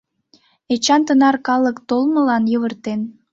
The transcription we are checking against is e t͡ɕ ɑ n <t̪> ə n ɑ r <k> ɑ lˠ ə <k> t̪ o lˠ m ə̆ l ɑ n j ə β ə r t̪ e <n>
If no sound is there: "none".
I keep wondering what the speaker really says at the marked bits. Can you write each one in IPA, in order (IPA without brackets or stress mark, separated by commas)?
t̪, k, k, n